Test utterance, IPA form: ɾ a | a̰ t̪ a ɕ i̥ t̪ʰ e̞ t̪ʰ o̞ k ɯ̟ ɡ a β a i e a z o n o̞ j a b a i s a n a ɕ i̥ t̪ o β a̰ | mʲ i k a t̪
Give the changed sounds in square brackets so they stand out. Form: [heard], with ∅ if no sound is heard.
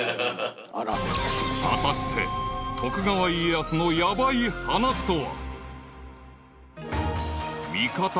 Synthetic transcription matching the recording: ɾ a | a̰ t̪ a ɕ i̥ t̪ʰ e̞ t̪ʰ o̞ k ɯ̟ ɡ a β a i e a [s] o n o̞ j a b a i [h] a n a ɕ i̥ t̪ o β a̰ | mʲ i k a t̪